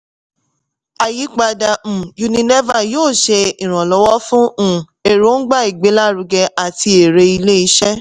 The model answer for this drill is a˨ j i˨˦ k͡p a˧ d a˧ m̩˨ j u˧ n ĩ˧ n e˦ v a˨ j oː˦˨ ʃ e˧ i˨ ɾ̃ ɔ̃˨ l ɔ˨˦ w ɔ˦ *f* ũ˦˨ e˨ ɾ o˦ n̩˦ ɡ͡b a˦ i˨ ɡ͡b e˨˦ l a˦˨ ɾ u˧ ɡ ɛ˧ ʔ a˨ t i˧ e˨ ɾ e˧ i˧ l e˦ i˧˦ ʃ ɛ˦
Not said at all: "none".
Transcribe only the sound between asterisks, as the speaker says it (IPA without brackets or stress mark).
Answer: f